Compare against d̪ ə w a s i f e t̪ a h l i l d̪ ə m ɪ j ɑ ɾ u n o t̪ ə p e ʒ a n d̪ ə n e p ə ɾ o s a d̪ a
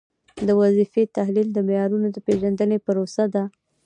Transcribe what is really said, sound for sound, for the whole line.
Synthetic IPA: d̪ ə w a z i f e t̪ a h l i l d̪ ə m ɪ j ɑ ɾ u n o d̪ ə p e ʒ a n d̪ ə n e p ə ɾ o s a d̪ a